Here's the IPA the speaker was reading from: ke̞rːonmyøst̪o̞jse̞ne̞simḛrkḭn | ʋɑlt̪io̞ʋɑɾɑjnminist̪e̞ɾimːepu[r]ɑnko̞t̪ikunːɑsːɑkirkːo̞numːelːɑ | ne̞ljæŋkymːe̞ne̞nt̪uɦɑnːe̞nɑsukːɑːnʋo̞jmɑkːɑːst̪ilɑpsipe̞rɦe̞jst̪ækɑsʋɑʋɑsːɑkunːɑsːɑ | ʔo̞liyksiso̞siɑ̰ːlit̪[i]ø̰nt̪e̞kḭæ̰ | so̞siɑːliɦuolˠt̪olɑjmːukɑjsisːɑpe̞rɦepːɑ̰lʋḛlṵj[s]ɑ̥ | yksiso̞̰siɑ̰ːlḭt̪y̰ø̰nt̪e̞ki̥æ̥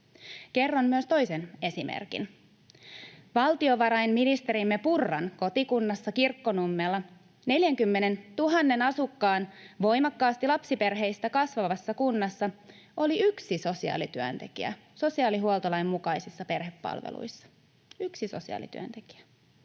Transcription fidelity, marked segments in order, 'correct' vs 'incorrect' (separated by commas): incorrect, incorrect, incorrect